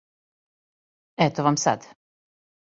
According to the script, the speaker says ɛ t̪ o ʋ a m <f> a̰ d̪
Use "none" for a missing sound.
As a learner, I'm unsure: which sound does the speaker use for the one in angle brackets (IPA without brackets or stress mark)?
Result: s